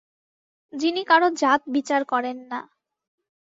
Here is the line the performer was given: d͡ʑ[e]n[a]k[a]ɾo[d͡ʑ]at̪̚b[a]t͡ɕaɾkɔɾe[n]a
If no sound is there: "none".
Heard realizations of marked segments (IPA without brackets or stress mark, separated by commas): i, i, a, d͡ʑ, i, nː